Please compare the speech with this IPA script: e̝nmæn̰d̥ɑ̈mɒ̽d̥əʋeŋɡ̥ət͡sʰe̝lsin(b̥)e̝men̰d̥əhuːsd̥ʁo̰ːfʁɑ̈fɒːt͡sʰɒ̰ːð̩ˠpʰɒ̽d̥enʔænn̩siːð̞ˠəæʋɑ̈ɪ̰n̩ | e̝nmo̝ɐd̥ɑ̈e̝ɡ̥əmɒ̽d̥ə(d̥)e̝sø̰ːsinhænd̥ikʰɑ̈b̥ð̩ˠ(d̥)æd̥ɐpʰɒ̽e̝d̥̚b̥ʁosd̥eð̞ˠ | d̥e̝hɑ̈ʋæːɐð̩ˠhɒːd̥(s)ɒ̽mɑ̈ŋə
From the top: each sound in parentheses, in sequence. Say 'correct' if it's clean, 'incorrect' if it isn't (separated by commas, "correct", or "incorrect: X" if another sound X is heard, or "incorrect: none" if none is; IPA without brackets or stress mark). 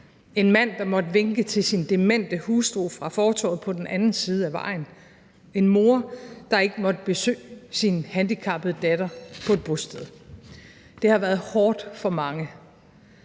incorrect: d̥, incorrect: b̥, correct, incorrect: f